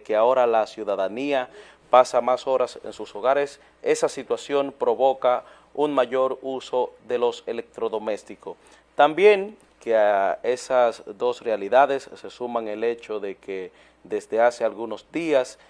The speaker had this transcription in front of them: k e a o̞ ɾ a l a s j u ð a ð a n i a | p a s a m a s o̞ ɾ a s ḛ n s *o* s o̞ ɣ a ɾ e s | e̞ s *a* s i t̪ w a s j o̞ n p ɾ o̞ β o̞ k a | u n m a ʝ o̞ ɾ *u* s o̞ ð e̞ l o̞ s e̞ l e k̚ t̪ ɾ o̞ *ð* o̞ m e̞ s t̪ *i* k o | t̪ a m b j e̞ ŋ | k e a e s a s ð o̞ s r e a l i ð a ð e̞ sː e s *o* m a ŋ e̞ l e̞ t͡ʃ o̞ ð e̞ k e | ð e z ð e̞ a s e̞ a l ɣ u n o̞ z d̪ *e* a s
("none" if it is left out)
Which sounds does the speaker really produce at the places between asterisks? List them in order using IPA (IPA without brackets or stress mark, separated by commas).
u, a, u, ð, i, u, i